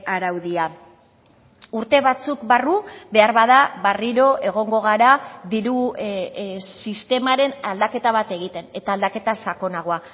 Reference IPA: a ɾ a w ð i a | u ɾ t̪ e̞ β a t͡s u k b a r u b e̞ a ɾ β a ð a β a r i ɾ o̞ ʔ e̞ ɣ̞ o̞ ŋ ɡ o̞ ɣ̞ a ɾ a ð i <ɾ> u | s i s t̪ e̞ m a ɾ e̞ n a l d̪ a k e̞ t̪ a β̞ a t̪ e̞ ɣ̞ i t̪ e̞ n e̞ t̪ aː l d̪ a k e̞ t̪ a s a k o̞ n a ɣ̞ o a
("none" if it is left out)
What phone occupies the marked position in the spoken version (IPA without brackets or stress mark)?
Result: ɾ